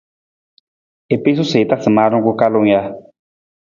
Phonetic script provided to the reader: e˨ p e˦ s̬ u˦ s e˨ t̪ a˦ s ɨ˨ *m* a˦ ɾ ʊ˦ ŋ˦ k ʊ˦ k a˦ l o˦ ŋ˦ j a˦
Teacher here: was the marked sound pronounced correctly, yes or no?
yes